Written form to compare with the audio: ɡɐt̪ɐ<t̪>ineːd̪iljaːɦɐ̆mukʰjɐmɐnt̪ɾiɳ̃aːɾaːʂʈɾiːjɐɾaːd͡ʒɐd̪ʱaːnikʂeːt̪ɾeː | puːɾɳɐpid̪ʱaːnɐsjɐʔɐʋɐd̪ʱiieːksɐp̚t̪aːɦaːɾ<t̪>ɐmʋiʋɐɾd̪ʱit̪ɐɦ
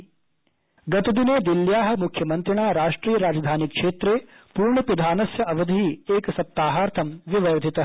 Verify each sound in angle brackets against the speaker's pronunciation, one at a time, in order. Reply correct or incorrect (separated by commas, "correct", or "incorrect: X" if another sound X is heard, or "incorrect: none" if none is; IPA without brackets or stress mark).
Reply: incorrect: d̪, incorrect: t̪ʰ